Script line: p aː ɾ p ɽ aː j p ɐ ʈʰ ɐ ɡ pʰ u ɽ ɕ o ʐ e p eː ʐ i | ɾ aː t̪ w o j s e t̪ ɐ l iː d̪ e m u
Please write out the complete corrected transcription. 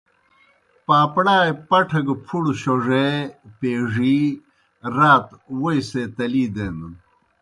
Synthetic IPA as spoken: p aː p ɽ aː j p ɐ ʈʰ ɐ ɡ pʰ u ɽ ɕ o ʐ e p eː ʐ i | ɾ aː t̪ w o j s e t̪ ɐ l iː d̪ e n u